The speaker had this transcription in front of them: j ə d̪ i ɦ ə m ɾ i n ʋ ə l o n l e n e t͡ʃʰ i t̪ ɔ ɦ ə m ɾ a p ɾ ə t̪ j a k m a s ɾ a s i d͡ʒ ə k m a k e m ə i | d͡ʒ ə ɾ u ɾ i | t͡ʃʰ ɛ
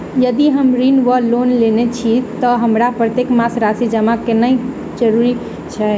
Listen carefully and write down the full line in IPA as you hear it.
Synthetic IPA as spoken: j ə d̪ i ɦ ə m ɾ i n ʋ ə l o n l e n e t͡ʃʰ i t̪ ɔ ɦ ə m ɾ a p ɾ ə t̪ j e k m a s ɾ a s i d͡ʒ ə m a k e n ə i | d͡ʒ ə ɾ u ɾ i | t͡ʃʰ ɛ